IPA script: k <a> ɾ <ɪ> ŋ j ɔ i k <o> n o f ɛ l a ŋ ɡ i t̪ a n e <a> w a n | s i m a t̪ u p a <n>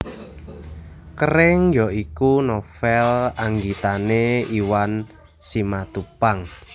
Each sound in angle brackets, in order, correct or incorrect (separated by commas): incorrect, correct, incorrect, incorrect, incorrect